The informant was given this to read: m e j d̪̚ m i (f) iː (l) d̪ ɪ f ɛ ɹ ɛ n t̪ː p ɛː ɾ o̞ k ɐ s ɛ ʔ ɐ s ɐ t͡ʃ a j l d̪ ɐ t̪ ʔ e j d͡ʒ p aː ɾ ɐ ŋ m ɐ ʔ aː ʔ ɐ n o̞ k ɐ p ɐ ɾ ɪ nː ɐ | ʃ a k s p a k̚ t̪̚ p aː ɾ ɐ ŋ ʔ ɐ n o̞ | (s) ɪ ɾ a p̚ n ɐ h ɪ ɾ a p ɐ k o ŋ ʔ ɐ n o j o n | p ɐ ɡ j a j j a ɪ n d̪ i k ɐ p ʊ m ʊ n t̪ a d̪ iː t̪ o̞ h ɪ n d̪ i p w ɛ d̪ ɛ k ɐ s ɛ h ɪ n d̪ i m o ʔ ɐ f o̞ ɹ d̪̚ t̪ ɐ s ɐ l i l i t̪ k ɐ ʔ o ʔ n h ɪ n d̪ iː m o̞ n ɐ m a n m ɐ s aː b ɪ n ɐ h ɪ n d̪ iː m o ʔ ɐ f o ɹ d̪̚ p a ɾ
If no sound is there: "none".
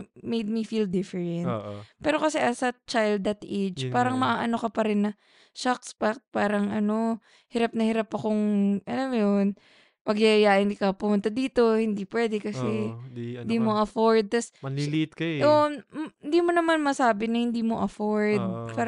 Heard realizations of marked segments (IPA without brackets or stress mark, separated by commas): f, l, h